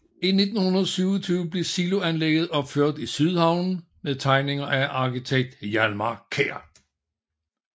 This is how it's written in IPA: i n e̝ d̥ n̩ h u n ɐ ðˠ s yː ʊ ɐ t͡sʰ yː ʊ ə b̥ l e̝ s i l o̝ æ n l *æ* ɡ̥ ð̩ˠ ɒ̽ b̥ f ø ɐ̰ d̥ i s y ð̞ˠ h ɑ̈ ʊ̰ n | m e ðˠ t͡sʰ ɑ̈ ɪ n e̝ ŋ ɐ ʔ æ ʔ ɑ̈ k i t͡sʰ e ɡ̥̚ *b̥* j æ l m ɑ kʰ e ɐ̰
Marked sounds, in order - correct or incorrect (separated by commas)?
incorrect, incorrect